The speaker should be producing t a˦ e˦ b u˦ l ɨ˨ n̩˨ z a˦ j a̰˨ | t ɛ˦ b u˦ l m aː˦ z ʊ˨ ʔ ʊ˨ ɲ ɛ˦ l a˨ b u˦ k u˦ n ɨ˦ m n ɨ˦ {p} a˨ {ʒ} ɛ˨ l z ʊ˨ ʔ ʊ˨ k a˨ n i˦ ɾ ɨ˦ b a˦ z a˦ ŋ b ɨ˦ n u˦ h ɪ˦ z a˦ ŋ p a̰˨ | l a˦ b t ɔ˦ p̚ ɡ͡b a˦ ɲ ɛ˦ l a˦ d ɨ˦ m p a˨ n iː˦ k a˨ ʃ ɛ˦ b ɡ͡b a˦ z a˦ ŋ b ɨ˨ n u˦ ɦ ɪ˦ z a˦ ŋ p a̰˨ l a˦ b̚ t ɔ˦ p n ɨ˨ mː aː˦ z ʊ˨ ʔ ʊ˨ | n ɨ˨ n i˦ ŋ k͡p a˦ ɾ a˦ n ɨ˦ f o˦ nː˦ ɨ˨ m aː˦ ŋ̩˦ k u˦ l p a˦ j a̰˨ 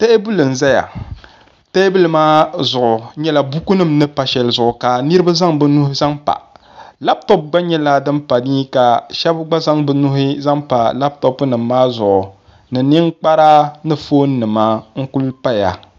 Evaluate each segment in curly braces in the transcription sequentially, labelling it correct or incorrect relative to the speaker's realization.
correct, incorrect: ʃ

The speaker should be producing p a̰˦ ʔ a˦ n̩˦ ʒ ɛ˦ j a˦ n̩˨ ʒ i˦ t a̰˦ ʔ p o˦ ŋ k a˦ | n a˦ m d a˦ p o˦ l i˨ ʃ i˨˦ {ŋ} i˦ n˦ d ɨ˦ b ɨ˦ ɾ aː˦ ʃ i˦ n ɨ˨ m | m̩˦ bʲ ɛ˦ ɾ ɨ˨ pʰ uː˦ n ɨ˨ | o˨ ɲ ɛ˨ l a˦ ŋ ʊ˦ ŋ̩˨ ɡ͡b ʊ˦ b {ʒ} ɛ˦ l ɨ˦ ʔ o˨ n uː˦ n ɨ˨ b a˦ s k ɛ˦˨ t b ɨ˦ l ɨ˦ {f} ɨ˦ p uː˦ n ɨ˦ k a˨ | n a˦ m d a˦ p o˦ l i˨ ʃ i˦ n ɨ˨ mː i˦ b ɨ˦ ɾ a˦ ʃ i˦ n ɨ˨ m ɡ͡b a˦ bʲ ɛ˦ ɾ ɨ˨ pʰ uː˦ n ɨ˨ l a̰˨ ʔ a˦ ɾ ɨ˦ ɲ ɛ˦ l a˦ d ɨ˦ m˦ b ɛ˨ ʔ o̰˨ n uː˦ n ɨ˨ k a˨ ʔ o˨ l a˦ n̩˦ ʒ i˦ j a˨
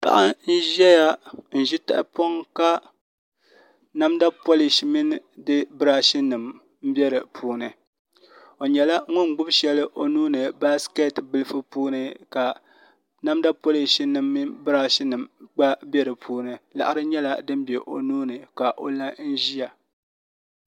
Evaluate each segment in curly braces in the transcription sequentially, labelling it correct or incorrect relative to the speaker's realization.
incorrect: m, incorrect: ʃ, correct

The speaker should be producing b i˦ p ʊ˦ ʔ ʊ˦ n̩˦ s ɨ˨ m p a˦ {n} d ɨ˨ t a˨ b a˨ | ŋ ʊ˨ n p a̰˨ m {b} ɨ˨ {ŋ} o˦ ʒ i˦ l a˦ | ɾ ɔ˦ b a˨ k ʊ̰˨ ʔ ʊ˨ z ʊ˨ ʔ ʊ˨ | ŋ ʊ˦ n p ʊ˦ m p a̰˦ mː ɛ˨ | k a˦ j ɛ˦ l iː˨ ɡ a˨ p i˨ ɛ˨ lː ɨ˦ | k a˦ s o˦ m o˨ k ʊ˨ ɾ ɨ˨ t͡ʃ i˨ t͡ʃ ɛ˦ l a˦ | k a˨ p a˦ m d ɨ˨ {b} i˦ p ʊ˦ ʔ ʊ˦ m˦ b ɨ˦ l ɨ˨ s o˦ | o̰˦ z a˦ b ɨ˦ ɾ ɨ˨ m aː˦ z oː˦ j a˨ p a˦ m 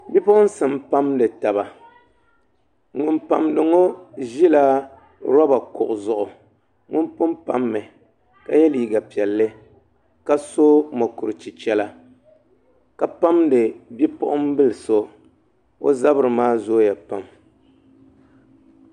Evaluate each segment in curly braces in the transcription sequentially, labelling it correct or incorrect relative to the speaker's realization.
incorrect: m, incorrect: d, correct, correct

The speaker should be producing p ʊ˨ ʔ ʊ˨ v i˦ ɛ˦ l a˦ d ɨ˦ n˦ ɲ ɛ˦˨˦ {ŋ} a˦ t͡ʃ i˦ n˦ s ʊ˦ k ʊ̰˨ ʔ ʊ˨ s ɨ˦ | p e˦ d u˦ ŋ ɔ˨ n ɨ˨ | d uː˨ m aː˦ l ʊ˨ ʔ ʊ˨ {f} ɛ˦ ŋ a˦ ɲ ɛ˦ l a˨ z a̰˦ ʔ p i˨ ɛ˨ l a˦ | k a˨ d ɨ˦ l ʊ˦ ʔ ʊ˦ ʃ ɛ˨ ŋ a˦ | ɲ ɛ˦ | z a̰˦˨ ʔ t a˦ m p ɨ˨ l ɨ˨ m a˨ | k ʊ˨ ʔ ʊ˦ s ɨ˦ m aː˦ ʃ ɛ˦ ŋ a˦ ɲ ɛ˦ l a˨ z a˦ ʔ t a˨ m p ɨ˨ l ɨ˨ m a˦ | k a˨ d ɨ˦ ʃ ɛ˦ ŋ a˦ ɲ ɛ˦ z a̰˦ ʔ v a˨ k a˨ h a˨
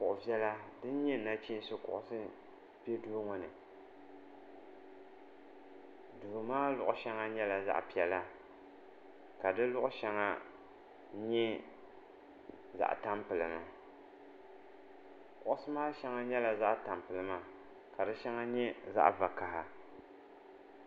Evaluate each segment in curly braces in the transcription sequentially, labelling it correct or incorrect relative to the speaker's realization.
incorrect: n, incorrect: ʃ

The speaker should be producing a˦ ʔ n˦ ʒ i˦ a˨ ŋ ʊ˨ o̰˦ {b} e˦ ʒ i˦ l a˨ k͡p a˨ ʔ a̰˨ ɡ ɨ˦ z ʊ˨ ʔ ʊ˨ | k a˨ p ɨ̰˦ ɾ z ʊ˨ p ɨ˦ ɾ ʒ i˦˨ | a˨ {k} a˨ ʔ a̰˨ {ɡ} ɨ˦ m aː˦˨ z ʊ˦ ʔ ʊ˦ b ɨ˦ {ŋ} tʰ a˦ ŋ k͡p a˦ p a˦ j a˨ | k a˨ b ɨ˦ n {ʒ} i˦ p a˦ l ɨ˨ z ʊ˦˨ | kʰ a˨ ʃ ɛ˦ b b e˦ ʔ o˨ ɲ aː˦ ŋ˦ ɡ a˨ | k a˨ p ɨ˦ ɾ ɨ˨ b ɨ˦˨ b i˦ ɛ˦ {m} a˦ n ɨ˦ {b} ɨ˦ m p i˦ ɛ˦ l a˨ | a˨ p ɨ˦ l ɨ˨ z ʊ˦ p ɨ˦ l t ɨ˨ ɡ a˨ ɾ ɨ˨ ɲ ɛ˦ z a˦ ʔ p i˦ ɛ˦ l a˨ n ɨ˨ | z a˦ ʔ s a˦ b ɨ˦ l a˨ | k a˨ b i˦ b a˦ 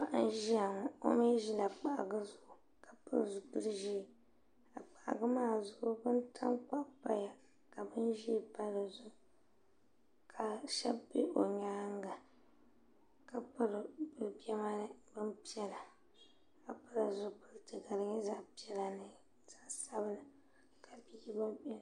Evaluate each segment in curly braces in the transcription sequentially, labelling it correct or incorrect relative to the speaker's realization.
incorrect: m, incorrect: k͡p, correct, incorrect: n, correct, correct, correct

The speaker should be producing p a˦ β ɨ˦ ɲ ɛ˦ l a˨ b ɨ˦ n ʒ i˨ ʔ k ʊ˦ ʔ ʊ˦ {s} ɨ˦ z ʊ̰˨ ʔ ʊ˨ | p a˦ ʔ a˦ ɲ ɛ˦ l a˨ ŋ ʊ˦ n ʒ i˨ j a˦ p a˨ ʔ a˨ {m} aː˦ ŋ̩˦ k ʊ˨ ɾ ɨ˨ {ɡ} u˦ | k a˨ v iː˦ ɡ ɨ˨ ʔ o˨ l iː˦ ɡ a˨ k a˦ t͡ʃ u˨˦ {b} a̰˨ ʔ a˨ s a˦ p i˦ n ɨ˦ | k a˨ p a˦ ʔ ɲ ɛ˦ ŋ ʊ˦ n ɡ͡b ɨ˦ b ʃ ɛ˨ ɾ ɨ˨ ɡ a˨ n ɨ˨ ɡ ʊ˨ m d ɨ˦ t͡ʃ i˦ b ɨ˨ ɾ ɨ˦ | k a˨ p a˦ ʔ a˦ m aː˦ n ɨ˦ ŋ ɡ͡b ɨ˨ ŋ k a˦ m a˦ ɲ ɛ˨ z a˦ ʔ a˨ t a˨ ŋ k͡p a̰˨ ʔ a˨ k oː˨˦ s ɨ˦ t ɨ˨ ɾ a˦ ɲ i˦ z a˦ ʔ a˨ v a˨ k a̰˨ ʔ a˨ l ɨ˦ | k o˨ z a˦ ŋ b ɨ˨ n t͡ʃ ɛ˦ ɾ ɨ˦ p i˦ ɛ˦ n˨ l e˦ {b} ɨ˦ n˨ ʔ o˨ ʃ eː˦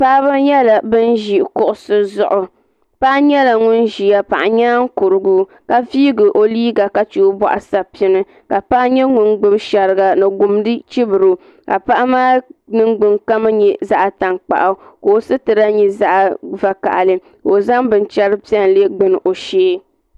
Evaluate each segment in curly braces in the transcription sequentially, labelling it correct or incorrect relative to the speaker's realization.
correct, incorrect: ɲ, correct, correct, incorrect: ɡ͡b

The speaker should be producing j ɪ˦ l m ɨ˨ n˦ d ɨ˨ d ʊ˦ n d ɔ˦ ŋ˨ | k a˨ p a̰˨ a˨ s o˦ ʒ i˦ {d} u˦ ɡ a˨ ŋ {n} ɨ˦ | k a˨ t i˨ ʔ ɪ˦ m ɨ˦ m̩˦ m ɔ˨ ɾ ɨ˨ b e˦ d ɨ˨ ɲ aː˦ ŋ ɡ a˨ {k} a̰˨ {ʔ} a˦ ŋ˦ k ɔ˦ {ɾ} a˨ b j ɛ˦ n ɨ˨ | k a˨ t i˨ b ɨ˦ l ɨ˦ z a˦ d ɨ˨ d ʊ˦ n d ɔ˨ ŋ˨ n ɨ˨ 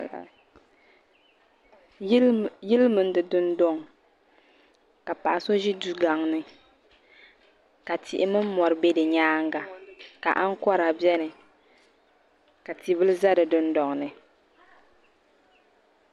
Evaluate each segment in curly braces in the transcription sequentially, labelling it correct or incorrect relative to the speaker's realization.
correct, correct, correct, correct, correct

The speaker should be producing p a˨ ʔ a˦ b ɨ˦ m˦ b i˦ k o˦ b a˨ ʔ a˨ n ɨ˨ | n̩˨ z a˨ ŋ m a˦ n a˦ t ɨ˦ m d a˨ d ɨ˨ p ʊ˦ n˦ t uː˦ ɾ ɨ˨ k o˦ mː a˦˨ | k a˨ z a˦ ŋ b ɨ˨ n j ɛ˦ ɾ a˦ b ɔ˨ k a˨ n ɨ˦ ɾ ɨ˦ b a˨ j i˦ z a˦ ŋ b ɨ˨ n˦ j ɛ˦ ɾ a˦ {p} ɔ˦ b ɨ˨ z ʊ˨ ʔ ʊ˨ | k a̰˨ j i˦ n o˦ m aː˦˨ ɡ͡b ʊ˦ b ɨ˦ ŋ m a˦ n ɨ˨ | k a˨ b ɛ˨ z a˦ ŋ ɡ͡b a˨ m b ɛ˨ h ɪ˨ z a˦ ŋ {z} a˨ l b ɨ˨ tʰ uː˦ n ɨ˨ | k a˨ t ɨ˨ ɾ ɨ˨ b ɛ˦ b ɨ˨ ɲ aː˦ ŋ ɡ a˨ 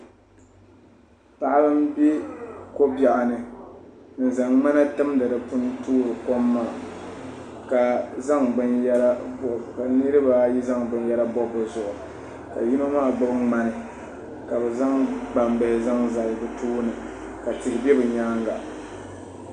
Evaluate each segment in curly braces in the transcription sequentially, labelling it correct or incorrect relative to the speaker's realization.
incorrect: b, correct

